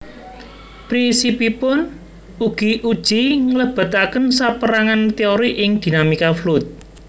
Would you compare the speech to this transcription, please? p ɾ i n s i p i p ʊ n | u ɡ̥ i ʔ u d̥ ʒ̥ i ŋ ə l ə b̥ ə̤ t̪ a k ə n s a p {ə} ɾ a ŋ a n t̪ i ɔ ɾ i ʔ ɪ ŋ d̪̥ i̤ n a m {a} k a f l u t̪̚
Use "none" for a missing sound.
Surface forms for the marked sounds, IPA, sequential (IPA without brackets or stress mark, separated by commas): ə, i